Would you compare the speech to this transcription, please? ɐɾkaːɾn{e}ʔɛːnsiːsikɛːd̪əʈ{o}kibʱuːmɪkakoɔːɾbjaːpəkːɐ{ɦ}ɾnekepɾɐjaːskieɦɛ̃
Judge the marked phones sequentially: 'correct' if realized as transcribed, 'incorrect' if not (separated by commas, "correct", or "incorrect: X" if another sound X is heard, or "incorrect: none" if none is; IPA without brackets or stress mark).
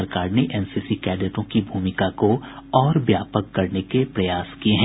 correct, incorrect: õ, incorrect: none